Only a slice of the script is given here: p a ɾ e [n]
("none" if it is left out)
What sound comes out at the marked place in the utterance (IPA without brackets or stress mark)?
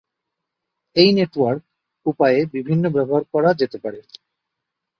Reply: none